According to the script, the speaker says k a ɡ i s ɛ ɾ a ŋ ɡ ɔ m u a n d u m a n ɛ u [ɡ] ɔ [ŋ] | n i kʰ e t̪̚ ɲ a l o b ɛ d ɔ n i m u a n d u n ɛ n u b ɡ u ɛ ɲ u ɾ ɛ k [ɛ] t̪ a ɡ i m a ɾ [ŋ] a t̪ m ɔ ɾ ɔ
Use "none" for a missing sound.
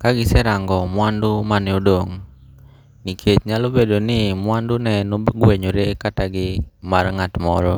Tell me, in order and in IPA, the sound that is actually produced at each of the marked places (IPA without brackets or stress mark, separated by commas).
d, ŋ, a, ŋ